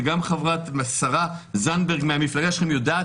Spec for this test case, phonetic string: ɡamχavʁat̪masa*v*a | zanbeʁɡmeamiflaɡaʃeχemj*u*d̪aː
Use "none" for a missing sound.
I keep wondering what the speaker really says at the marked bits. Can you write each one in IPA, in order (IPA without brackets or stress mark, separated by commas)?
ʁ, o